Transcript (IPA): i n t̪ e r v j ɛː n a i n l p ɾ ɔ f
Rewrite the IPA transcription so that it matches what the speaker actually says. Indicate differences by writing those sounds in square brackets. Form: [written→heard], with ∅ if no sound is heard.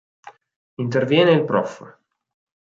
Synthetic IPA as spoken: i n t̪ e r v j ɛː n [a→e] i [n→∅] l p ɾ ɔ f